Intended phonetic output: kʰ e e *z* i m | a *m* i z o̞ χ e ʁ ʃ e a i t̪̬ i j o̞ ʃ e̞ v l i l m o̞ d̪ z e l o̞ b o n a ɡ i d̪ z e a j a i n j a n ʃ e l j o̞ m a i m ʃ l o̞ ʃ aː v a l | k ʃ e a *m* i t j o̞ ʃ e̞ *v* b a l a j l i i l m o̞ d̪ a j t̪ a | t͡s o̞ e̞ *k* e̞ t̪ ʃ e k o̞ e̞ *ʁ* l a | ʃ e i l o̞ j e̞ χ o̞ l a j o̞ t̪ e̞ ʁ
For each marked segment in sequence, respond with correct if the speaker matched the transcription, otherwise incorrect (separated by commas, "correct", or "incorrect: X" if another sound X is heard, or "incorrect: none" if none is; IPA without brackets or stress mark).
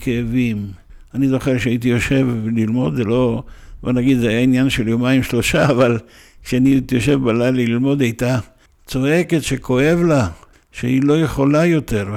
incorrect: v, incorrect: n, incorrect: n, correct, correct, incorrect: v